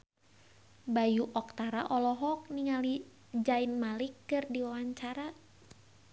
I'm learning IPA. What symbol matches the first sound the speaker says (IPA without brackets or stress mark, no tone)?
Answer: b